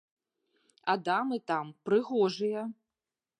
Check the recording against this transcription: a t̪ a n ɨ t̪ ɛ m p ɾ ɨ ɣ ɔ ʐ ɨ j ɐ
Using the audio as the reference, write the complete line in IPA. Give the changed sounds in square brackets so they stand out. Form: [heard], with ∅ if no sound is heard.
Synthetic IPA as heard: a [d̪] a [m] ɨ t̪ [a] m p ɾ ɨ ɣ ɔ ʐ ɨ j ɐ